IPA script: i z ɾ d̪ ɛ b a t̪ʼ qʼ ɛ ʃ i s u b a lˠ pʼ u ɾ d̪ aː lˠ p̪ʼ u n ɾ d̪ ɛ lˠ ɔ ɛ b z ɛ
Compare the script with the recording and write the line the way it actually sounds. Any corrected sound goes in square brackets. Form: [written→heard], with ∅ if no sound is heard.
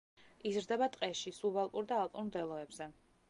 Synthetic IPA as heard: i z ɾ d̪ ɛ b a t̪ʼ qʼ ɛ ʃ i s u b a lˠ pʼ u ɾ d̪ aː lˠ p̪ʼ u n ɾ d̪ ɛ lˠ ɔ ɛ b z ɛ